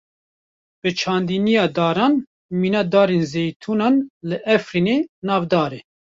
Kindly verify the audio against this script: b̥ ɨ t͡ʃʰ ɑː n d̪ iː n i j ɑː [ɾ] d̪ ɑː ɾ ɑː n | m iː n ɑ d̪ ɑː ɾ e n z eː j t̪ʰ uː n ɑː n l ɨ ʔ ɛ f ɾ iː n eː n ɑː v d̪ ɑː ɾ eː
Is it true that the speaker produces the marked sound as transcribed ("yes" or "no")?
no